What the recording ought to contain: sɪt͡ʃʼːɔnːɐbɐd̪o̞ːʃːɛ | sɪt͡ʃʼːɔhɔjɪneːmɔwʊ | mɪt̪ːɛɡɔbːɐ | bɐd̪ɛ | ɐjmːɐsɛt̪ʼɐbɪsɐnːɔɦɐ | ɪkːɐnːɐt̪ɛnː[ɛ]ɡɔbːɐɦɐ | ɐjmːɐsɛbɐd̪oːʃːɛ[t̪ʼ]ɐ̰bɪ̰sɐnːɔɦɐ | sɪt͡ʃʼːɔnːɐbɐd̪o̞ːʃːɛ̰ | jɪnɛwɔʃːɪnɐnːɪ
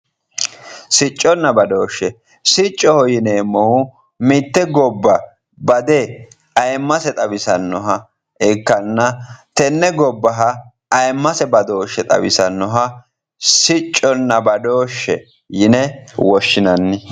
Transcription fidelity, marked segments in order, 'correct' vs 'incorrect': correct, correct

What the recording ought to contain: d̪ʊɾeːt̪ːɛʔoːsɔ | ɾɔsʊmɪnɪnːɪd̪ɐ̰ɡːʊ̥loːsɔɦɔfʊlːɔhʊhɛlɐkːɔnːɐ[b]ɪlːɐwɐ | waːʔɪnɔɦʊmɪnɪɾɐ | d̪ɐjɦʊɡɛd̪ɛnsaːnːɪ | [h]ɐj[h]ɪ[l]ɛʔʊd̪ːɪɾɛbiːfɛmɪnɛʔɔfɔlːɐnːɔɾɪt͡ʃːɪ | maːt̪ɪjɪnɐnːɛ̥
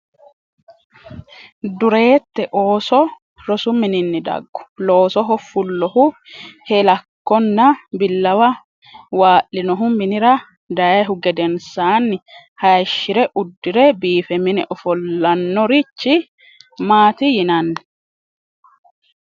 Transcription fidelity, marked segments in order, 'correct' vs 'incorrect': correct, correct, incorrect: ʃ, incorrect: ɾ

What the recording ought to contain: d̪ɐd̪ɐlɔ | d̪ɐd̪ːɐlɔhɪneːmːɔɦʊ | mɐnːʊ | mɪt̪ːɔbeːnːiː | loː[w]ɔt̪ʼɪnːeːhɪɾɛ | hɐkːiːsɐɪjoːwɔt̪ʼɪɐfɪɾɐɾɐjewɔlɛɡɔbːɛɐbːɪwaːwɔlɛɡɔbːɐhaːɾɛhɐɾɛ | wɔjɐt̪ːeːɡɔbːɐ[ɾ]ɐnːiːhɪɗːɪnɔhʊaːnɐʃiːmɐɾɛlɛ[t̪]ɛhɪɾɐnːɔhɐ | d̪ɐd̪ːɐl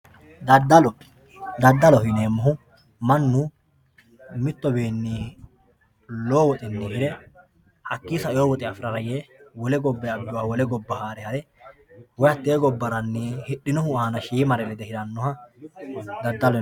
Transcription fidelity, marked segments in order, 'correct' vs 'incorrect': correct, correct, incorrect: d̪

